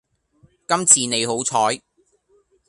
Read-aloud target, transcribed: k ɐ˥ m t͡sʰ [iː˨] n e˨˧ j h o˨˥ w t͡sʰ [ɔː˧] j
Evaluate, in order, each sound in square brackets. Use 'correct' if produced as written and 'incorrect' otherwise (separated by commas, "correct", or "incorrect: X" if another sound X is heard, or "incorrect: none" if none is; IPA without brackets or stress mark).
correct, incorrect: ɔː˨˥